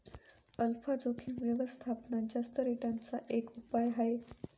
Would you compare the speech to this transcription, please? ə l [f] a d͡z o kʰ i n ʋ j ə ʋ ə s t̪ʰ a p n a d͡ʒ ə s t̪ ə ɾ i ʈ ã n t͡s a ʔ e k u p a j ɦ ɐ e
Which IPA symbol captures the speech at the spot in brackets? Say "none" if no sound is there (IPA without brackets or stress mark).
f